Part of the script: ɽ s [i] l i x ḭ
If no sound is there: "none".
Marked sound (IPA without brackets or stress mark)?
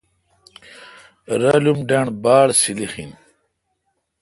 i